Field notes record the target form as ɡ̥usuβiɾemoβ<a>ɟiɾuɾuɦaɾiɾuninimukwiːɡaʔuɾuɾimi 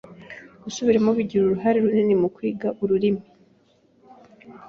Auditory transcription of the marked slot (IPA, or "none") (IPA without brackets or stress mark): i